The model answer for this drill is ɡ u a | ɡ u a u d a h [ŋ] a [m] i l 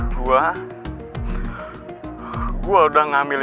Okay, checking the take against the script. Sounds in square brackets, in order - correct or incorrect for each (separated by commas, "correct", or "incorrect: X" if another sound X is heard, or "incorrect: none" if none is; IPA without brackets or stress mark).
correct, correct